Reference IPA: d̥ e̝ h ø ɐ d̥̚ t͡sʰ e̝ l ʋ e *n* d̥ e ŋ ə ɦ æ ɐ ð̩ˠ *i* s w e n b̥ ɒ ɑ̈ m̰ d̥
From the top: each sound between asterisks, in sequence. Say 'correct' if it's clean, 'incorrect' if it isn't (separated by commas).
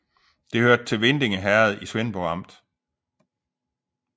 correct, correct